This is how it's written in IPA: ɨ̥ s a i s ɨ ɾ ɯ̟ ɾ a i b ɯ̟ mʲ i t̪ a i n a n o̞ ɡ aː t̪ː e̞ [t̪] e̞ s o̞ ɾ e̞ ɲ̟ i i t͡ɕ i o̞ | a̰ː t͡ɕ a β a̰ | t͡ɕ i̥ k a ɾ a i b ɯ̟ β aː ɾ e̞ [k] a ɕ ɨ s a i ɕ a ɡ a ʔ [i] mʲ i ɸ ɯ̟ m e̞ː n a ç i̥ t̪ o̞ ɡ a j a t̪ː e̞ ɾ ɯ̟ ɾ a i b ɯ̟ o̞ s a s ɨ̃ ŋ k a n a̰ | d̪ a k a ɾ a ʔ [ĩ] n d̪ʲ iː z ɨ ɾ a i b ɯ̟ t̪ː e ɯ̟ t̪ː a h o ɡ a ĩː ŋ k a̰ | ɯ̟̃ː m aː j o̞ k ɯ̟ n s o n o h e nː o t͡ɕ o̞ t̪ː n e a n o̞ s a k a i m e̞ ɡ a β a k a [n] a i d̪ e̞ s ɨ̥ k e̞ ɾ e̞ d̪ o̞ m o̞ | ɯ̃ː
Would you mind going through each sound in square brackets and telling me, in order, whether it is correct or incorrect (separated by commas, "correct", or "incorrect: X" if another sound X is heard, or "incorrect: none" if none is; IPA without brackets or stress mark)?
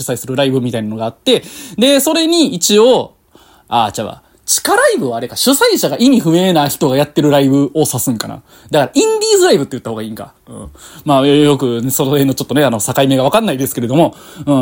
incorrect: d̪, correct, correct, correct, incorrect: nː